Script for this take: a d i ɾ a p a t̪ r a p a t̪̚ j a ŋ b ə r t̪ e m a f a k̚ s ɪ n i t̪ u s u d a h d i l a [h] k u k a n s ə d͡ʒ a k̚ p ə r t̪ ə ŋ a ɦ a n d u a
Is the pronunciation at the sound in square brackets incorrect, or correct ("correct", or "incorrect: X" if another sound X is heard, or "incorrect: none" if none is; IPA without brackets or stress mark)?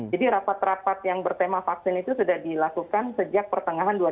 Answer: incorrect: none